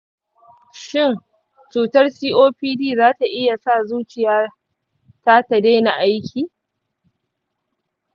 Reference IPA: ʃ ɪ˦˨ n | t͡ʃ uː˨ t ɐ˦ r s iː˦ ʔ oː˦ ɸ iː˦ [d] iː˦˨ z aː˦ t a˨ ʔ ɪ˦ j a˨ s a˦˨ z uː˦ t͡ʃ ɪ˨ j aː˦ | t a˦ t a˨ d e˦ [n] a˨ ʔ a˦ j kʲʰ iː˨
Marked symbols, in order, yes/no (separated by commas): yes, yes